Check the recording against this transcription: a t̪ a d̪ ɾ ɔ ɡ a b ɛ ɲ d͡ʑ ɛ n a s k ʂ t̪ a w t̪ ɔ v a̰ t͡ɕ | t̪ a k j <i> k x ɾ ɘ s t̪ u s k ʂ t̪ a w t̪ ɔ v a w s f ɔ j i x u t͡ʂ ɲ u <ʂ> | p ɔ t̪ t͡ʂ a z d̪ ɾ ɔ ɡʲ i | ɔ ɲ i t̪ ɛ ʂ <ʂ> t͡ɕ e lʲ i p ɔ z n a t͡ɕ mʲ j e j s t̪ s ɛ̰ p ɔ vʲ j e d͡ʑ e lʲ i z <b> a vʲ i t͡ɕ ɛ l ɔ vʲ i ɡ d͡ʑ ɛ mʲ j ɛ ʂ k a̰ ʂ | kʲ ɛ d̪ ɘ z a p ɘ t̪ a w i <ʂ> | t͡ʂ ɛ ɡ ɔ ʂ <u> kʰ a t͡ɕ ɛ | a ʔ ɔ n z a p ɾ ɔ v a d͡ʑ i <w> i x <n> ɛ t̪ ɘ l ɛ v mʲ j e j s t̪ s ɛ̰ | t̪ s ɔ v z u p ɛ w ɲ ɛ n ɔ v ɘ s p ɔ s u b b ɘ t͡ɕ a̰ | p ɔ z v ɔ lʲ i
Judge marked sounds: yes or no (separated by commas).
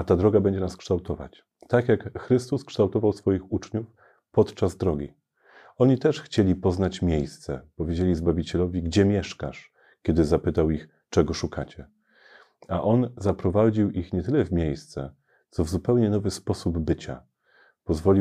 no, no, no, yes, no, yes, yes, no